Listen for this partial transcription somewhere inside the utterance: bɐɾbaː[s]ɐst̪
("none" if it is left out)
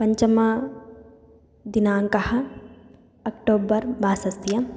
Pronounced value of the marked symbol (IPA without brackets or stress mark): s